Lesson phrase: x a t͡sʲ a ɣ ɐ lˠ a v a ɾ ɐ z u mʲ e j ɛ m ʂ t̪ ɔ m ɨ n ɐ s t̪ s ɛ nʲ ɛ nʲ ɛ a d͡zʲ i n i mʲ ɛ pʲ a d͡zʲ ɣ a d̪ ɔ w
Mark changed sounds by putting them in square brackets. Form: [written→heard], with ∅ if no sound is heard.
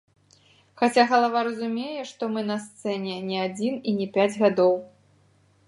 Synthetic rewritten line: x a t͡sʲ a ɣ ɐ lˠ a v a ɾ ɐ z u mʲ e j ɛ [m→∅] ʂ t̪ ɔ m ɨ n ɐ s t̪ s ɛ nʲ ɛ nʲ ɛ a d͡zʲ i n i [mʲ→nʲ] ɛ pʲ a d͡zʲ ɣ a d̪ ɔ w

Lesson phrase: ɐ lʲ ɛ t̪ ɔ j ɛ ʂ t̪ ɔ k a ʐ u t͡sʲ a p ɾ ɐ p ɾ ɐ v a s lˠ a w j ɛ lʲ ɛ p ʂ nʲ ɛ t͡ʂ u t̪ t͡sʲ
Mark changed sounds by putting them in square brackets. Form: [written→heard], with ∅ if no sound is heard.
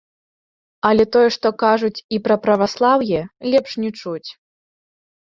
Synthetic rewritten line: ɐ lʲ ɛ t̪ ɔ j ɛ ʂ t̪ ɔ k a ʐ u t͡sʲ [a→i] p ɾ ɐ p ɾ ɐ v a s lˠ a w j ɛ lʲ ɛ p ʂ nʲ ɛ t͡ʂ u [t̪→∅] t͡sʲ

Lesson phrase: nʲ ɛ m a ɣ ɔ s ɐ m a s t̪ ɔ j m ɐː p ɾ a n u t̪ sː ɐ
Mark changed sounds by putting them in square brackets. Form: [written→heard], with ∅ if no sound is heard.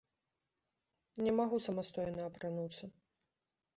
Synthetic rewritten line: nʲ ɛ m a ɣ [ɔ→u] s ɐ m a s t̪ ɔ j [m→n] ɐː p ɾ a n u t̪ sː ɐ

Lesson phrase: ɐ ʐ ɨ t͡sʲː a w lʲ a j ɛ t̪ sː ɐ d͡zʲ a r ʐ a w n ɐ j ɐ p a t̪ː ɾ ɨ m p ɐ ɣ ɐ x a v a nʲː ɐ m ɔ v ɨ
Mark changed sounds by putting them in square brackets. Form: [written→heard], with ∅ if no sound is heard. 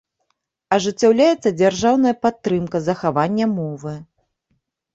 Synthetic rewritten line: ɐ ʐ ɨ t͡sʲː a w lʲ a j ɛ t̪ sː ɐ d͡zʲ a r ʐ a w n ɐ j ɐ p a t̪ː ɾ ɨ m [p→k] ɐ [ɣ→z] ɐ x a v a nʲː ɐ m ɔ v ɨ

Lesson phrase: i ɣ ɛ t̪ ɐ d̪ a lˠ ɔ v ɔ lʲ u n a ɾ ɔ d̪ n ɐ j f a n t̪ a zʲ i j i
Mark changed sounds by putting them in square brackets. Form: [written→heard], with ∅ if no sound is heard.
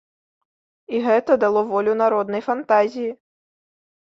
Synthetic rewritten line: i ɣ ɛ t̪ ɐ d̪ a lˠ ɔ v ɔ lʲ u n a ɾ ɔ d̪ n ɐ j f a n t̪ a zʲ i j i

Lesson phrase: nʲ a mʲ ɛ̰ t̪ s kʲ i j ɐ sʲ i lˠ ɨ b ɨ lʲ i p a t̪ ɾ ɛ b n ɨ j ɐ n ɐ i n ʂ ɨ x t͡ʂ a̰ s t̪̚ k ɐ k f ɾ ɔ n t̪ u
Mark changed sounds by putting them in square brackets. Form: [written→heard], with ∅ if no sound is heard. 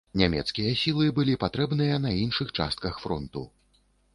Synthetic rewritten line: nʲ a mʲ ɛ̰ t̪ s kʲ i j ɐ sʲ i lˠ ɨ b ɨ lʲ i p a t̪ ɾ ɛ b n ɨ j ɐ n ɐ i n ʂ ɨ x t͡ʂ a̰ s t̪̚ k ɐ [k→x] f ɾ ɔ n t̪ u

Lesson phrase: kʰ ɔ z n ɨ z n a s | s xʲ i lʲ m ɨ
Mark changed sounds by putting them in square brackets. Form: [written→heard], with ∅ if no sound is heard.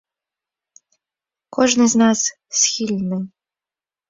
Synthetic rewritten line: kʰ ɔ [z→ʐ] n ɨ z n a s | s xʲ i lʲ [m→n] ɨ

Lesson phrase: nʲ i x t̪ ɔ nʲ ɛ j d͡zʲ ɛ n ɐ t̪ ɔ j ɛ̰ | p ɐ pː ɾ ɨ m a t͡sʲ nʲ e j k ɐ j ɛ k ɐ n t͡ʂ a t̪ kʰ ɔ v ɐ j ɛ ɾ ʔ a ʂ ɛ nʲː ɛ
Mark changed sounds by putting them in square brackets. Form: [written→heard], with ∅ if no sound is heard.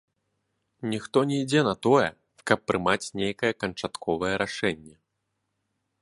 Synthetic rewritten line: nʲ i x t̪ ɔ nʲ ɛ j d͡zʲ ɛ n ɐ t̪ ɔ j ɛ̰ | [p→k] ɐ pː ɾ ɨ m a t͡sʲ nʲ e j k ɐ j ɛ k ɐ n t͡ʂ a t̪ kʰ ɔ v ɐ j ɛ ɾ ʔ a ʂ ɛ nʲː ɛ

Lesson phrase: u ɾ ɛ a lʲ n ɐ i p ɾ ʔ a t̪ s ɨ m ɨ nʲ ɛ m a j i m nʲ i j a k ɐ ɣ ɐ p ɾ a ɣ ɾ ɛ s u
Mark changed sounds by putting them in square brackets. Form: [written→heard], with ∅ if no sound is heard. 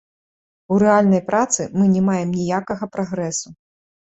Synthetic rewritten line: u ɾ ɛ a lʲ n ɐ [i→j] p ɾ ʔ a t̪ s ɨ m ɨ nʲ ɛ m a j [i→ɛ] m nʲ i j a k ɐ ɣ ɐ p ɾ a ɣ ɾ ɛ s u

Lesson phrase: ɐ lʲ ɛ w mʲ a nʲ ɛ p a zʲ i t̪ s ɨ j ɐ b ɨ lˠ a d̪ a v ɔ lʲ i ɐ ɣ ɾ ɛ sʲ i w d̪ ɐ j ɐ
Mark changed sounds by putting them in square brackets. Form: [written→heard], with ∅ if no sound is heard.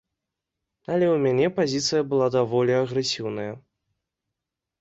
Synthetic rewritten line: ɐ lʲ ɛ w mʲ a nʲ ɛ p a zʲ i t̪ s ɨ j ɐ b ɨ lˠ a d̪ a v ɔ lʲ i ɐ ɣ ɾ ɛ sʲ i w [d̪→n̪] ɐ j ɐ

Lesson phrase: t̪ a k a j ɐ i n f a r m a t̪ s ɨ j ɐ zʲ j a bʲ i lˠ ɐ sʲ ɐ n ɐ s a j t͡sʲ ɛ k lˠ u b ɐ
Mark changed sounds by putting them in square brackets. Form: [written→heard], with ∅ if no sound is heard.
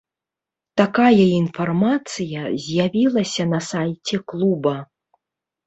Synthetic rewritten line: t̪ a k a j ɐ i n f a r m a t̪ s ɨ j ɐ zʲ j a [bʲ→vʲ] i lˠ ɐ sʲ ɐ n ɐ s a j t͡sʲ ɛ k lˠ u b ɐ

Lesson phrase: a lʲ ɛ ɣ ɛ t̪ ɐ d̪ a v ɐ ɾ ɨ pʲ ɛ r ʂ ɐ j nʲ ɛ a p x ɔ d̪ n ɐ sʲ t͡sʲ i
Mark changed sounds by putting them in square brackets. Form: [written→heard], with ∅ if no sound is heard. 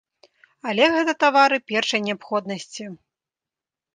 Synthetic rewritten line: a lʲ ɛ ɣ ɛ t̪ ɐ [d̪→t̪] a v [ɐ→a] ɾ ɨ pʲ ɛ r ʂ ɐ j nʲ ɛ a p x ɔ d̪ n ɐ sʲ t͡sʲ i

